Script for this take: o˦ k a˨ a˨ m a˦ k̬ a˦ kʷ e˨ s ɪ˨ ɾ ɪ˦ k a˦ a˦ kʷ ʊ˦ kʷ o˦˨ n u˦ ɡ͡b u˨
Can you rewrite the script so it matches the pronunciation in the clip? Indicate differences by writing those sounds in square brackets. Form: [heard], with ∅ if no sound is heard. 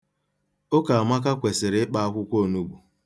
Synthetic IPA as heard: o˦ k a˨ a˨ m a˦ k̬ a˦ kʷ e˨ s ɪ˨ ɾ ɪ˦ [k͡p] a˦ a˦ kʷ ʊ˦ kʷ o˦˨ n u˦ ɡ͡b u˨